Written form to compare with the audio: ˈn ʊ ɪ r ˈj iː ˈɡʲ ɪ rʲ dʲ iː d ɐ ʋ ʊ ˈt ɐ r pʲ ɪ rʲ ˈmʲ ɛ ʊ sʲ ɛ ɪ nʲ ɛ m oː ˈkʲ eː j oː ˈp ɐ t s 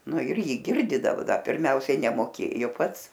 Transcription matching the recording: ˈn ʊ ɪ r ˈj iː ˈɡʲ ɪ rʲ dʲ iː d ɐ ʋ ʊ ˈd ɐ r pʲ ɪ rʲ ˈmʲ ɛ ʊ sʲ ɛ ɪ nʲ ɛ m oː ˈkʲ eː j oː ˈp ɐ t s